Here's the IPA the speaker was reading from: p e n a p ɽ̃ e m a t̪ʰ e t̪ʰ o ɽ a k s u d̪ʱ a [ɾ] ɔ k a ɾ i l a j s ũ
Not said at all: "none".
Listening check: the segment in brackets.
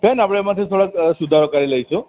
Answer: ɾ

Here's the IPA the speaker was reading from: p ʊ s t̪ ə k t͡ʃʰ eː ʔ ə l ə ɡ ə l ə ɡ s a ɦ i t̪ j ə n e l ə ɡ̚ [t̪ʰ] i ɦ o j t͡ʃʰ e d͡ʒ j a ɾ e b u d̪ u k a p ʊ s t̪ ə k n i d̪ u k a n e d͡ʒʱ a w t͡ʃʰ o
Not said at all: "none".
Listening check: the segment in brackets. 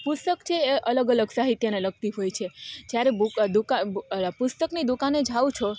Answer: t̪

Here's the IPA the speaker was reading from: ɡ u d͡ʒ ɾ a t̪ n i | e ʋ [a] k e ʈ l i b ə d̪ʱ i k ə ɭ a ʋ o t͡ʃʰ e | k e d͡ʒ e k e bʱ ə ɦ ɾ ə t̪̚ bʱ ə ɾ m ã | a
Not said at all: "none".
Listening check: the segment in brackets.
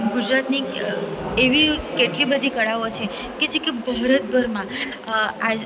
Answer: i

